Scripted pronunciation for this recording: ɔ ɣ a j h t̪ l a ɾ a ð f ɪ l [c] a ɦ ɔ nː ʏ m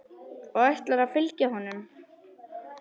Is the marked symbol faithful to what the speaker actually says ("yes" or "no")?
yes